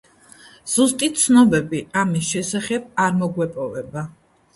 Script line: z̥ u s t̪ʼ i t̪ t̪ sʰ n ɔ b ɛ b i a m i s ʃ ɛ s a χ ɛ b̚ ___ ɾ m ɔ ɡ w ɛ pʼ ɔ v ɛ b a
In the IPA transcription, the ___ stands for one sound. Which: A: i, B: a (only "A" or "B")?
B